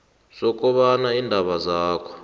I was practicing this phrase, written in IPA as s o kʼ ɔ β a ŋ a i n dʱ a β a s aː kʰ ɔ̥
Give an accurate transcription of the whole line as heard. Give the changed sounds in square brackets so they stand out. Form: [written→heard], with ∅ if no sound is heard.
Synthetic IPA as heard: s [o→ɔ] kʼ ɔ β a [ŋ→n] a i n dʱ a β a [s→z] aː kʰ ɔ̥